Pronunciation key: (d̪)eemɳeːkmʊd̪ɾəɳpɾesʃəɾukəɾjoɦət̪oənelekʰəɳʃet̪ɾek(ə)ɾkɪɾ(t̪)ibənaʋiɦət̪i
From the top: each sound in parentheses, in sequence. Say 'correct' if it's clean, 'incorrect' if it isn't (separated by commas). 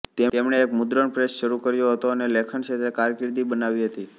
incorrect, incorrect, incorrect